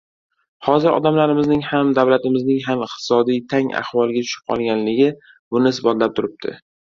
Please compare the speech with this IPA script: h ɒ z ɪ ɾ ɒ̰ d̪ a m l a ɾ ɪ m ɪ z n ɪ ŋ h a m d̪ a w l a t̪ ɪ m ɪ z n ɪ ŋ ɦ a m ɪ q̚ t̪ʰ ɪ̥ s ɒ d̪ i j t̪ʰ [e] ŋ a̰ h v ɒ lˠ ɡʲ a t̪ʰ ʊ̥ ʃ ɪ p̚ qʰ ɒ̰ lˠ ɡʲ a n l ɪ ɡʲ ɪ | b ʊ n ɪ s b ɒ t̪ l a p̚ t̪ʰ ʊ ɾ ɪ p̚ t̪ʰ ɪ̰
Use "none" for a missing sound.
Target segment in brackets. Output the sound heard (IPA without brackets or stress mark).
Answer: a